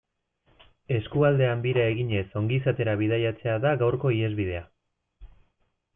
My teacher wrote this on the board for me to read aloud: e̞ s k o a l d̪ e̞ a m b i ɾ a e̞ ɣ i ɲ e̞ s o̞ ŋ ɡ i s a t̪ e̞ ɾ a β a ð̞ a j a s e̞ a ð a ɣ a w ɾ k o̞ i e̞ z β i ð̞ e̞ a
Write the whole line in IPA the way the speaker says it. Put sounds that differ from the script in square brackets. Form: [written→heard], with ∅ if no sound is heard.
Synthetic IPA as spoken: e̞ s k [o→u] a l d̪ e̞ a m b i ɾ a e̞ ɣ i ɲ e̞ s o̞ ŋ ɡ i s a t̪ e̞ ɾ a β [a→i] ð̞ a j a [s→t͡s] e̞ a ð a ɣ a w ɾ k o̞ i e̞ z β i ð̞ e̞ a